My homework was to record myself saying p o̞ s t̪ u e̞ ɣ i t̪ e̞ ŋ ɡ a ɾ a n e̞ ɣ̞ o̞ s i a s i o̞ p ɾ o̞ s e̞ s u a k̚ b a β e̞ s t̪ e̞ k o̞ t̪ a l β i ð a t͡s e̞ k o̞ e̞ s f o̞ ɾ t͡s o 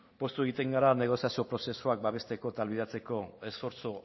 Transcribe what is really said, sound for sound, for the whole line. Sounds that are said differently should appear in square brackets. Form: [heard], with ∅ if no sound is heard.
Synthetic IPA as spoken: p o̞ s t̪ u e̞ ɣ i t̪ e̞ ŋ ɡ a ɾ a n e̞ ɣ̞ o̞ s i a s i o̞ p ɾ o̞ s e̞ s u a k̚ b a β e̞ s t̪ e̞ k o̞ t̪ a l β i ð a t͡s e̞ k o̞ e̞ s f o̞ ɾ t͡s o